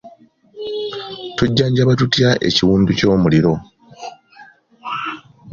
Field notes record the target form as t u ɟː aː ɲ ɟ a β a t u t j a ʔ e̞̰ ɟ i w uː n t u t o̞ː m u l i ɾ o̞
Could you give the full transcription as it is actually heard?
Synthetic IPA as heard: t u ɟː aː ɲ ɟ a β a t u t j a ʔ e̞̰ c i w uː n d u c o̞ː m u l i ɾ o̞